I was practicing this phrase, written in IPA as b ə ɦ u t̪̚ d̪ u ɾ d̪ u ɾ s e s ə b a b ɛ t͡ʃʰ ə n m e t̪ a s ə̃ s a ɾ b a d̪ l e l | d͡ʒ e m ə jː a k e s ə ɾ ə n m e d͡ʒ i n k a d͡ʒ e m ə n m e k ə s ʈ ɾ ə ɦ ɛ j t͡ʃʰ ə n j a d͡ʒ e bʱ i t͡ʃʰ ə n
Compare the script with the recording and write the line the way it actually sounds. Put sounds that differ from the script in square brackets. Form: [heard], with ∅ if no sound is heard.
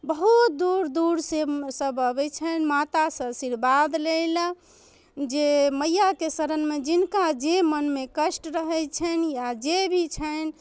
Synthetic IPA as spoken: b ə ɦ u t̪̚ d̪ u ɾ d̪ u ɾ s e s ə b [ə] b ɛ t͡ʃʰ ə n m [a] t̪ a s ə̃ s [i] ɾ b a d̪ l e l | d͡ʒ e m ə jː a k e s ə ɾ ə n m e d͡ʒ i n k a d͡ʒ e m ə n m e k ə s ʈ ɾ ə ɦ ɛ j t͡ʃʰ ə n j a d͡ʒ e bʱ i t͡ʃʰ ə n